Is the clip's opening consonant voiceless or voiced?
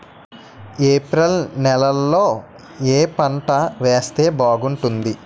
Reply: voiceless